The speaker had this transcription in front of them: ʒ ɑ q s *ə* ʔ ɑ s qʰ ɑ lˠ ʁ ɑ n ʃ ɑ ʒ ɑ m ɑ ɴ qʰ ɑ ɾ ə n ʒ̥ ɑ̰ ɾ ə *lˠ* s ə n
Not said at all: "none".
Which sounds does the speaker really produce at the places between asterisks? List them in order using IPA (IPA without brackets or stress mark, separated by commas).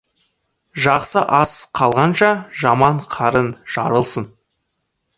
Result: ə, lˠ